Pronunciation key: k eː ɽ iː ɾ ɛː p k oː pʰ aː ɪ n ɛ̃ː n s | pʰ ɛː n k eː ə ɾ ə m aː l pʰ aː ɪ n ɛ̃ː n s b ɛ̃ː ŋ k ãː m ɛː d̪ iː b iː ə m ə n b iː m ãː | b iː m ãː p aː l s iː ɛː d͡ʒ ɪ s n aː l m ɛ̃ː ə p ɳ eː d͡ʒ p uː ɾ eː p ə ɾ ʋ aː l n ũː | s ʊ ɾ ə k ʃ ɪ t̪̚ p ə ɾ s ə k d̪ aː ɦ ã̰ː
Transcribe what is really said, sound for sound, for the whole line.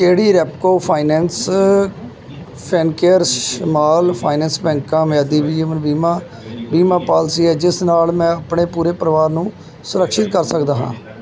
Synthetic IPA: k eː ɽ iː ɾ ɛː p k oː pʰ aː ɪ n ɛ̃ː n s | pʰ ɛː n k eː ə ɾ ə m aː l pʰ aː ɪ n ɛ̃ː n s b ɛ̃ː ŋ k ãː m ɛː d̪ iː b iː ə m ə n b iː m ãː | b iː m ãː p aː l s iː ɛː d͡ʒ ɪ s n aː l m ɛ̃ː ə p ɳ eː p uː ɾ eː p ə ɾ ʋ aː ɾ n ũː | s ʊ ɾ ə k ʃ ɪ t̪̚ k ə ɾ s ə k d̪ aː ɦ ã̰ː